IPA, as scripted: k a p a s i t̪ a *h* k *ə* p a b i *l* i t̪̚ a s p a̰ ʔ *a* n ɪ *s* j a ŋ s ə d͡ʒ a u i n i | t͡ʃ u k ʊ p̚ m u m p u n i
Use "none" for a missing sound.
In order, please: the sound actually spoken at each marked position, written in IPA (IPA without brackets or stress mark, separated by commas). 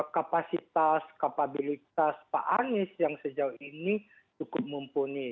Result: s, a, l, a, s